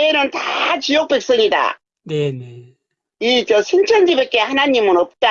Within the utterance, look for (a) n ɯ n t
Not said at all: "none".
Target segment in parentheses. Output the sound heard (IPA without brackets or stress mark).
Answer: e